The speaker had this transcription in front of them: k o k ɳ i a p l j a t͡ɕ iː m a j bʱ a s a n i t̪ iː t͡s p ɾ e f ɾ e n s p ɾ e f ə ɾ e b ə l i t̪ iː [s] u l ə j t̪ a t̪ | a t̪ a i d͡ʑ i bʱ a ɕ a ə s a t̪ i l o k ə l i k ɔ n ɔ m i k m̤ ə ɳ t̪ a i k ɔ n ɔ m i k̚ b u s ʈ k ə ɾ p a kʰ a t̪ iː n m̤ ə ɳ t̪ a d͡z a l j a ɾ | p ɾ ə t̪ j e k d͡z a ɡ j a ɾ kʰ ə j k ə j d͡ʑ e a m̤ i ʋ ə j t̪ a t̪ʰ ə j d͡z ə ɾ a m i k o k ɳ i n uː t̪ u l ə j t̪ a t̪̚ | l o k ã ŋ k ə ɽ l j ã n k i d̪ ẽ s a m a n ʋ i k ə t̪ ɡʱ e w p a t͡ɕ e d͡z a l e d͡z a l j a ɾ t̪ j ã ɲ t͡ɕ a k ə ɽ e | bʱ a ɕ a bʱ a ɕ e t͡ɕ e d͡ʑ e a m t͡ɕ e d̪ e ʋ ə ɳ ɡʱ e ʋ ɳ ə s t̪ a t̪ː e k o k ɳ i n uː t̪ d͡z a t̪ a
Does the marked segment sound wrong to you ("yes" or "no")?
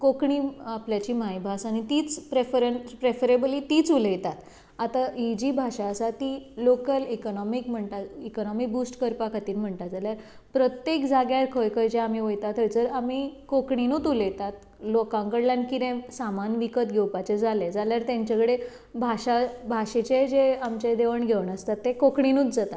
yes